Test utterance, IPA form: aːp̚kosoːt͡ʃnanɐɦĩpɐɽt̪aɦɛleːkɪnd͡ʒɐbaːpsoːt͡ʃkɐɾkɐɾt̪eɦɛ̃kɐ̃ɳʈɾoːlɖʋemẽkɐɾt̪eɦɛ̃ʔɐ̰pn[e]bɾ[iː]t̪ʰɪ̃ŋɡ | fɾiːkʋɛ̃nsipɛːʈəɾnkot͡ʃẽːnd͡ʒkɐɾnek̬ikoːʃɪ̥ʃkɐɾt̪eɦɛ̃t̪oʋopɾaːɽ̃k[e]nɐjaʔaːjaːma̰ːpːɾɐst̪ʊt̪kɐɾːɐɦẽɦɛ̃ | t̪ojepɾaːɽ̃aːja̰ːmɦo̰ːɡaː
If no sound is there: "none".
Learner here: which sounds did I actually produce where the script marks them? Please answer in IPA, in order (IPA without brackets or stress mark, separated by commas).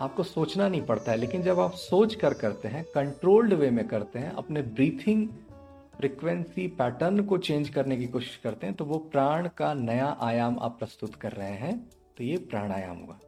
e, iː, a